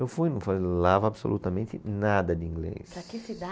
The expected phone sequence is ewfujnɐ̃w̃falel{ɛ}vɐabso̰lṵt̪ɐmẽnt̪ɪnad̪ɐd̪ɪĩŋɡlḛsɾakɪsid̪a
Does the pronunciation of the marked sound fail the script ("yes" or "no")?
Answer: yes